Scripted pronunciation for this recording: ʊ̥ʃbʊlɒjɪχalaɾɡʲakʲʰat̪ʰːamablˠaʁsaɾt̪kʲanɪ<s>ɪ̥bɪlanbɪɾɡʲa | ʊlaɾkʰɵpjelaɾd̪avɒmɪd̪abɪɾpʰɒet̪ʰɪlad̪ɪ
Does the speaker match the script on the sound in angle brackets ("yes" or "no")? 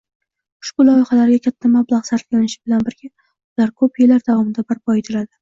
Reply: no